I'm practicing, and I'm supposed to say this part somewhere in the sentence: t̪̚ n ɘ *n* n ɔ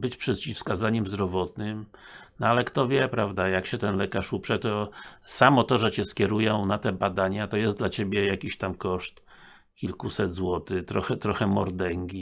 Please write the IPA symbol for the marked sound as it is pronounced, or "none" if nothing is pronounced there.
m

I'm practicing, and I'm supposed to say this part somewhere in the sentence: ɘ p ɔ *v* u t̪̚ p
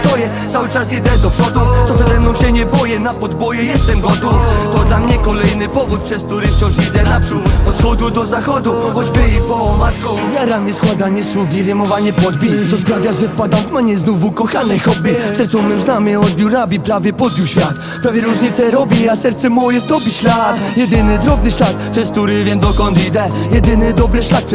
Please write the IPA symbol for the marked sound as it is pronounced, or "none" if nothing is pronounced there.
v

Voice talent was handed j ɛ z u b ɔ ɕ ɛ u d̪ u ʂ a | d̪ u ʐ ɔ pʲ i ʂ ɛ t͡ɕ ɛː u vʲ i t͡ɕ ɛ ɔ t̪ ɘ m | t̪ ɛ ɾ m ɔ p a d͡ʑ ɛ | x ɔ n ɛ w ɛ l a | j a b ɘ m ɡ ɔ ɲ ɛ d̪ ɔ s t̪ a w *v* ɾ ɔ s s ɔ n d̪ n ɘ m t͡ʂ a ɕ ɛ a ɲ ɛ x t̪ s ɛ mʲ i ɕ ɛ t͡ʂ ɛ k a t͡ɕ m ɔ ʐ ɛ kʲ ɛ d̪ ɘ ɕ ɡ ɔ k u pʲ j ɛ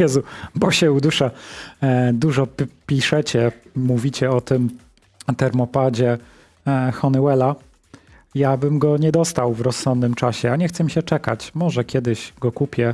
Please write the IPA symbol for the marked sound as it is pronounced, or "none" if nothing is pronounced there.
v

